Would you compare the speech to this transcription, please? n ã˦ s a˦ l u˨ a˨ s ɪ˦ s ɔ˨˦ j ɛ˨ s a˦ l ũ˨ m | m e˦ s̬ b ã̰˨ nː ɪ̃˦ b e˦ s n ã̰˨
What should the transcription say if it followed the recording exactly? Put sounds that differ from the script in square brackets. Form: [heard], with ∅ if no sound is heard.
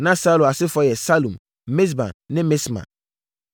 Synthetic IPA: n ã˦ s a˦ l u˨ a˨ s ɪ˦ [f] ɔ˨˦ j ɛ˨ s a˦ l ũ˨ m | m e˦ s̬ b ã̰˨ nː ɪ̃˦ [m] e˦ s [m] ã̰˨